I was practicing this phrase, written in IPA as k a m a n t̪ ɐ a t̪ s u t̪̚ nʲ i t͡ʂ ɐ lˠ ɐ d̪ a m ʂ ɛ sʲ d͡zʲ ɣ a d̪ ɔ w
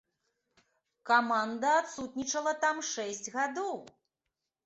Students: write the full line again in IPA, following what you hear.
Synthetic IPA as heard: k a m a n d̪ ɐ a t̪ s u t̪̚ nʲ i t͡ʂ ɐ lˠ ɐ t̪ a m ʂ ɛ sʲ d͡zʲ ɣ a d̪ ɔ w